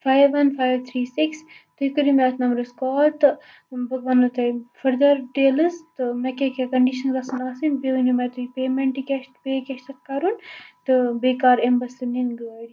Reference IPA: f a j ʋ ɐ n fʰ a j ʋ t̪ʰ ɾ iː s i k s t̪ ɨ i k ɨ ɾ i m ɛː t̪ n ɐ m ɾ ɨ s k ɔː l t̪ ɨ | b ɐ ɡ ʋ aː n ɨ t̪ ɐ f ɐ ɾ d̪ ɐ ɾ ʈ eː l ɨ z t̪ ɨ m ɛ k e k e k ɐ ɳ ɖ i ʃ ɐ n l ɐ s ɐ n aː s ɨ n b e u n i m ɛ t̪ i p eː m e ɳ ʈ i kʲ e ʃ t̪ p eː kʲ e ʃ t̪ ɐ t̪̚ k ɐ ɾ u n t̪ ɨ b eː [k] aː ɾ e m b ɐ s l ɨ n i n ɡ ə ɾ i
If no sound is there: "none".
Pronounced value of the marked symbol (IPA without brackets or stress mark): k